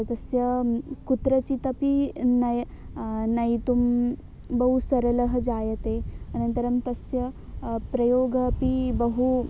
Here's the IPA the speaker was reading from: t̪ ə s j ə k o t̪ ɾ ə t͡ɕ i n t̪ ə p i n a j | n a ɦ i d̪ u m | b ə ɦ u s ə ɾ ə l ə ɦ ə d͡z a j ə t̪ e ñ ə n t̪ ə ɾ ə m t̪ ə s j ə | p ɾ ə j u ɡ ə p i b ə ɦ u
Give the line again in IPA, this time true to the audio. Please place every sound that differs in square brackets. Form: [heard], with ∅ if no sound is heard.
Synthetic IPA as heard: t̪ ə s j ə k [u] t̪ ɾ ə t͡ɕ i [∅] t̪ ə p i n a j | n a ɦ i [t̪] u m | b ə ɦ u s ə ɾ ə l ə ɦ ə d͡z a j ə t̪ e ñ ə n t̪ ə ɾ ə m t̪ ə s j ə | p ɾ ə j [o] ɡ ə p i b ə ɦ u

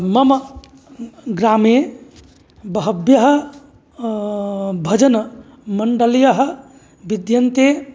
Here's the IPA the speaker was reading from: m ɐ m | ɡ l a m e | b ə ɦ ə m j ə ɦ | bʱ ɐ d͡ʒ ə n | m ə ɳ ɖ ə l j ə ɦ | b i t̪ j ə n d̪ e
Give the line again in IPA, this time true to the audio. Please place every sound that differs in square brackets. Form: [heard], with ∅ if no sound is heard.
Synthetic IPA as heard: m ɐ m | ɡ [ɾ] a m e | b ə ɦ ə [b] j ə ɦ | bʱ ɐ d͡ʒ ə n | m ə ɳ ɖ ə l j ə ɦ | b i [d̪] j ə n [t̪] e

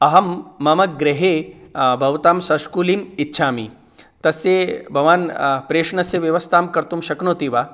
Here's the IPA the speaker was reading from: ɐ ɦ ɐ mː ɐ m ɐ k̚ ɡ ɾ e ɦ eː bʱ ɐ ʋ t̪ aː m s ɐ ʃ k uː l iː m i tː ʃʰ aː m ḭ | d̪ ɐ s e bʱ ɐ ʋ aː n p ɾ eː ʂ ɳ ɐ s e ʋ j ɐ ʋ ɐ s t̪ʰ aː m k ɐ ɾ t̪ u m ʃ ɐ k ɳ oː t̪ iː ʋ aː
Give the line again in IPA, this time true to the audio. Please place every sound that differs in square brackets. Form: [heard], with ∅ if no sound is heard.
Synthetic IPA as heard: ɐ ɦ ɐ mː ɐ m ɐ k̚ ɡ ɾ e ɦ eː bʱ ɐ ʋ t̪ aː m s ɐ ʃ k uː l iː m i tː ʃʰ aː m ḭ | [t̪] ɐ s e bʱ ɐ ʋ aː n p ɾ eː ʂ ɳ ɐ s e ʋ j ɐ ʋ ɐ s t̪ʰ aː m k ɐ ɾ t̪ u m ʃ ɐ k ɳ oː t̪ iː ʋ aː

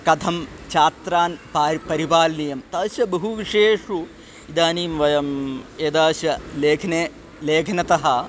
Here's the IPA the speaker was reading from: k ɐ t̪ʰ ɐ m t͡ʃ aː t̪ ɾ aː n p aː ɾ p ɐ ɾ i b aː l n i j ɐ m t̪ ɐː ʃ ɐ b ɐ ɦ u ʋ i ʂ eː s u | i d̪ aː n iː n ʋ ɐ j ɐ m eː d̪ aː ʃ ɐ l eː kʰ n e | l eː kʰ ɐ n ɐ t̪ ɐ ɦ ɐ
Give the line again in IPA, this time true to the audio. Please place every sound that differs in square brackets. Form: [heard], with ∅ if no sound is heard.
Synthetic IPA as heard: k ɐ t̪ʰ ɐ m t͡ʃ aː t̪ ɾ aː n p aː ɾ p ɐ ɾ i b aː l n i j ɐ m t̪ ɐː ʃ ɐ b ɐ ɦ u ʋ i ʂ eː [ʂ] u | i d̪ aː n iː [m] ʋ ɐ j ɐ m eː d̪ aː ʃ ɐ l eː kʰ n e | l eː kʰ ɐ n ɐ t̪ ɐ ɦ ɐ

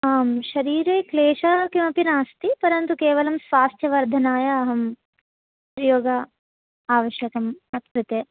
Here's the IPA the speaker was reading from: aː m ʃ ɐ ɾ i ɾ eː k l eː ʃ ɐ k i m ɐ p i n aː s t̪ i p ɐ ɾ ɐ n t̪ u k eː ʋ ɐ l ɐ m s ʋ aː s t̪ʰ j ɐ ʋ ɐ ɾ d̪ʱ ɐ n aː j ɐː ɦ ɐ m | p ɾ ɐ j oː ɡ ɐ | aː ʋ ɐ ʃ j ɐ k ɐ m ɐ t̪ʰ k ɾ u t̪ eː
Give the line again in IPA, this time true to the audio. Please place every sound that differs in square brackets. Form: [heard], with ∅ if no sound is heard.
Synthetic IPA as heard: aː m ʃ ɐ ɾ [iː] ɾ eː k l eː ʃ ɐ k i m ɐ p i n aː s t̪ i p ɐ ɾ ɐ n t̪ u k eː ʋ ɐ l ɐ m s ʋ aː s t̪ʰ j ɐ ʋ ɐ ɾ d̪ʱ ɐ n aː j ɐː ɦ ɐ m | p ɾ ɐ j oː ɡ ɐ | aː ʋ ɐ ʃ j ɐ k ɐ m ɐ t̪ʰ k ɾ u t̪ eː

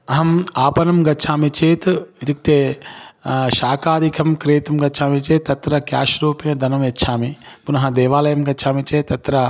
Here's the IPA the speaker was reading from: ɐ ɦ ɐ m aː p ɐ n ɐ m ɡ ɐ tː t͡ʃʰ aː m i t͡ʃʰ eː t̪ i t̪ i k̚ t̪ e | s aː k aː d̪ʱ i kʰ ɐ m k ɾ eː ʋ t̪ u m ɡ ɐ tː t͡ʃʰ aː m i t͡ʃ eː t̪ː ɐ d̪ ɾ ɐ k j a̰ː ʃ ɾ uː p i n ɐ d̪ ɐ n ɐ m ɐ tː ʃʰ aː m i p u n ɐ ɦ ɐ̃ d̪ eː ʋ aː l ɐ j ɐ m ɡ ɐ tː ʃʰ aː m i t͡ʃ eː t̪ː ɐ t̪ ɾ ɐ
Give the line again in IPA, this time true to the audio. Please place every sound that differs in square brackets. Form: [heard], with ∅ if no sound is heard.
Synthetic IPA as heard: ɐ ɦ ɐ m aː p ɐ n ɐ m ɡ ɐ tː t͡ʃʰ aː m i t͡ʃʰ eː t̪ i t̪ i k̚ t̪ e | [ʃ] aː k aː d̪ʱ i kʰ ɐ m k ɾ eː [∅] t̪ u m ɡ ɐ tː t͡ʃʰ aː m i t͡ʃ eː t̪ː ɐ [t̪] ɾ ɐ k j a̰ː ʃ ɾ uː p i n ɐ d̪ ɐ n ɐ m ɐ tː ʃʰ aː m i p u n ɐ ɦ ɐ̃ d̪ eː ʋ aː l ɐ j ɐ m ɡ ɐ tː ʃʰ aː m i t͡ʃ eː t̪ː ɐ t̪ ɾ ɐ

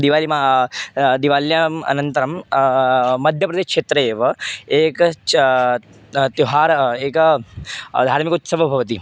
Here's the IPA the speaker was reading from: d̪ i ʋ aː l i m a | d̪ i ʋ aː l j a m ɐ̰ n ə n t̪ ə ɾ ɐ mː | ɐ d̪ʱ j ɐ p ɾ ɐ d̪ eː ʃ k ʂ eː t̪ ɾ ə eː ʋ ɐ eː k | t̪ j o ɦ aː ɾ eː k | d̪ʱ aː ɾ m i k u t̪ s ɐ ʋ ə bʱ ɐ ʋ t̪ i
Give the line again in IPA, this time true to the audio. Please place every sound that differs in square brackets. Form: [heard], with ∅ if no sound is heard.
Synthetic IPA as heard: d̪ i ʋ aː l i m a | d̪ i ʋ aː l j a m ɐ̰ n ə n t̪ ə ɾ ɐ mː | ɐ d̪ʱ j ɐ p ɾ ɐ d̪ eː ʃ k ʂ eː t̪ ɾ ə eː ʋ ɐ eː k | t̪ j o ɦ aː ɾ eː k | d̪ʱ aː ɾ m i k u t̪ s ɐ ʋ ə bʱ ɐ ʋ t̪ i

